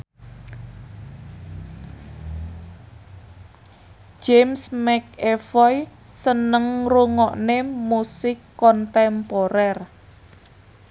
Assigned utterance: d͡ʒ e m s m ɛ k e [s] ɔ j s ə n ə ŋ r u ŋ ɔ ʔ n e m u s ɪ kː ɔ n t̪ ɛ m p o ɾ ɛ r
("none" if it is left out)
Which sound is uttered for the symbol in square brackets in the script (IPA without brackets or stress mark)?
f